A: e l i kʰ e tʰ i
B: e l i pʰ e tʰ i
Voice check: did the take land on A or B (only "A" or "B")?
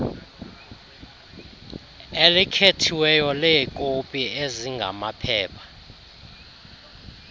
A